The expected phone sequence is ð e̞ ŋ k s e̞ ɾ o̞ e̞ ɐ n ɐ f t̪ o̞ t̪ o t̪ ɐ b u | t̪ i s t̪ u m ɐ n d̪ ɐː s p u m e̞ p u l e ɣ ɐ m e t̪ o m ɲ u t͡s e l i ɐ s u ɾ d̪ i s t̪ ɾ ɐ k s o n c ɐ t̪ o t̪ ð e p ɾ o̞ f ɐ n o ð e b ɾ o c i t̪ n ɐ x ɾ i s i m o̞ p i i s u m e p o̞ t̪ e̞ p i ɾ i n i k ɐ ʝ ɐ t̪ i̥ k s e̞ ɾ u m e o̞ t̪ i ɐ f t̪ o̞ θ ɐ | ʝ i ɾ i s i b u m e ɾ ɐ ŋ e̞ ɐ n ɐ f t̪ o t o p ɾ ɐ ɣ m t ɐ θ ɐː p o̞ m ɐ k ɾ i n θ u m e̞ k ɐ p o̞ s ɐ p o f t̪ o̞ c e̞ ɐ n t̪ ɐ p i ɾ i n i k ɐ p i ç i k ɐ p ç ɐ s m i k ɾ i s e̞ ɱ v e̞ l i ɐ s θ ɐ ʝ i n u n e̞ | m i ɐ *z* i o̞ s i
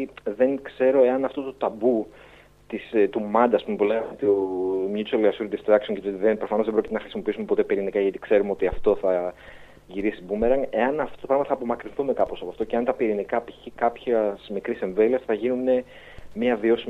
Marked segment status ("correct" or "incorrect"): incorrect